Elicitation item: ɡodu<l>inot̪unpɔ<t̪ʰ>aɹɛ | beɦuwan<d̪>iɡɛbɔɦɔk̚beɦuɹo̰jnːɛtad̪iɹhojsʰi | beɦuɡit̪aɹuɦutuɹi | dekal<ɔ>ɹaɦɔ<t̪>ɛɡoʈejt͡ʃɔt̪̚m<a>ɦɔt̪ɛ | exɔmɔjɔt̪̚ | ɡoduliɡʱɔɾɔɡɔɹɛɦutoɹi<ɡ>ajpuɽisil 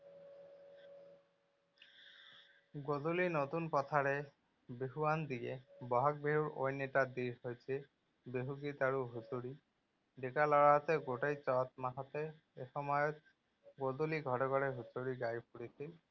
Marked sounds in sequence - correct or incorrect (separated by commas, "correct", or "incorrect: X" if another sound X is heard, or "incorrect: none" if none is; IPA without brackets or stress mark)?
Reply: correct, correct, correct, correct, correct, correct, correct